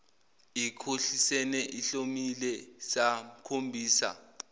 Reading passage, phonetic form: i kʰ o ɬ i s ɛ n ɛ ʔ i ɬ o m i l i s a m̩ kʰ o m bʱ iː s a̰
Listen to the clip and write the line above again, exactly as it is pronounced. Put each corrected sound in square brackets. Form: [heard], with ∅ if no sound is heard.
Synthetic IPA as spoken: i kʰ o ɬ i s ɛ n ɛ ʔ i ɬ o m i l [ɛ] s a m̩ kʰ o m bʱ iː s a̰